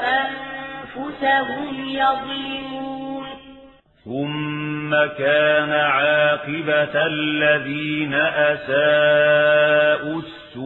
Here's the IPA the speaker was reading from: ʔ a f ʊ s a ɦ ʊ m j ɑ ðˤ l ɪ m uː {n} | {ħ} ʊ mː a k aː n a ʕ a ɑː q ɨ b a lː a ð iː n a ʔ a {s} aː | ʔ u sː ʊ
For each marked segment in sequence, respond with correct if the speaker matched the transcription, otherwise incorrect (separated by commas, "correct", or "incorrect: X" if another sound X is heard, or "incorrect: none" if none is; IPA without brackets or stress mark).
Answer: correct, incorrect: θ, correct